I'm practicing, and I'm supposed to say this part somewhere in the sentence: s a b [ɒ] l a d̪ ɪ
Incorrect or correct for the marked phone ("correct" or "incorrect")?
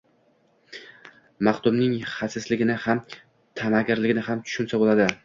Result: incorrect